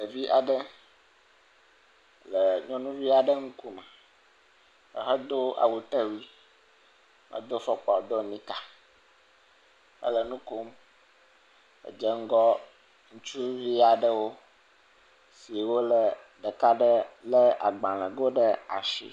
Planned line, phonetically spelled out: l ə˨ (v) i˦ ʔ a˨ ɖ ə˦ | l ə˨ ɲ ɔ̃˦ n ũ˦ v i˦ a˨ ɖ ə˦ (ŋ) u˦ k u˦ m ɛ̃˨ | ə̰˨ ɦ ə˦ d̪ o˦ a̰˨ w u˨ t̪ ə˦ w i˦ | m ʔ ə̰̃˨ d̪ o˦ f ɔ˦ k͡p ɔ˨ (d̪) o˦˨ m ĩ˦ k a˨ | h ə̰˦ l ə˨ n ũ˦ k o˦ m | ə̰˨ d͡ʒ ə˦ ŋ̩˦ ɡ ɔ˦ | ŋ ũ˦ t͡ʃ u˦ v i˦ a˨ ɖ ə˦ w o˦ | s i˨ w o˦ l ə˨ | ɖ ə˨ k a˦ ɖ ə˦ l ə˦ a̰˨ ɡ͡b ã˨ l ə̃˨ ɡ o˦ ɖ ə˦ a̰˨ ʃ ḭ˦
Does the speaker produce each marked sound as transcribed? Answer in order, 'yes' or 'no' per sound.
yes, yes, yes

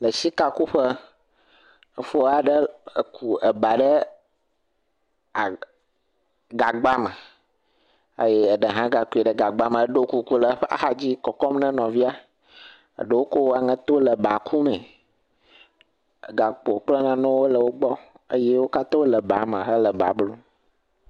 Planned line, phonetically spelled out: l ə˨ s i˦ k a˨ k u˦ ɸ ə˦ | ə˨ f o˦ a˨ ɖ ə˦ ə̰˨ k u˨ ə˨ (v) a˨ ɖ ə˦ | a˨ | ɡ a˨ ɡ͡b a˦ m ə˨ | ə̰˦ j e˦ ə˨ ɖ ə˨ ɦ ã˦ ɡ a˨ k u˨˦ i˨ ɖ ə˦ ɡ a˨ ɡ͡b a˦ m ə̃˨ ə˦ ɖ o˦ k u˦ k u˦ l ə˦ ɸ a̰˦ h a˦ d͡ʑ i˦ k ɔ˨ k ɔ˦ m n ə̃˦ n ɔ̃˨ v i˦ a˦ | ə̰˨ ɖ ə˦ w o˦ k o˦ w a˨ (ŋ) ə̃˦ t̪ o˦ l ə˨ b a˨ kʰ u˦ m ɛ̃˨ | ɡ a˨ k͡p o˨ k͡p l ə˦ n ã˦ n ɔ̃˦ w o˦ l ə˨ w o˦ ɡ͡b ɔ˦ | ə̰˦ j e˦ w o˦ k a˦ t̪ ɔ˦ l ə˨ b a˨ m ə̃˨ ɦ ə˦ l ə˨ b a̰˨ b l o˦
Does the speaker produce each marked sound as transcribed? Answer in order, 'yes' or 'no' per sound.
no, yes

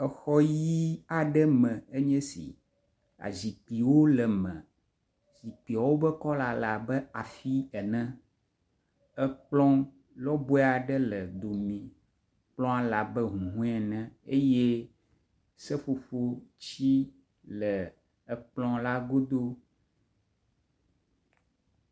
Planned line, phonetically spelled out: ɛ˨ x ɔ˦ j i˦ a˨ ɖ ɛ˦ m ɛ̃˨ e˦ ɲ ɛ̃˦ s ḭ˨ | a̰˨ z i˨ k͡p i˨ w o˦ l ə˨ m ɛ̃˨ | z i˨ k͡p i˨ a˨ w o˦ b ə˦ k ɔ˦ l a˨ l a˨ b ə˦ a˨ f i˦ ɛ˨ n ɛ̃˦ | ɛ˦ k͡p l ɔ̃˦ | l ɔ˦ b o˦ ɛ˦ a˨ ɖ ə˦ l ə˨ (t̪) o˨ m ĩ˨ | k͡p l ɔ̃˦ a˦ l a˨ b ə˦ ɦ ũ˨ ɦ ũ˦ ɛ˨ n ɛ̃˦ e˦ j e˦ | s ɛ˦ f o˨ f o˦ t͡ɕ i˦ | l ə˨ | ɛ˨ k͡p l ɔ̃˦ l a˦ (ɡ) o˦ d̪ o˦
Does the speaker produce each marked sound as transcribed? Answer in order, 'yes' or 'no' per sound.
no, yes

